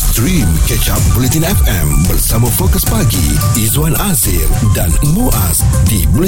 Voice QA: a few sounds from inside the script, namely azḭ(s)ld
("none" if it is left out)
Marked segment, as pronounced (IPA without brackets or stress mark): none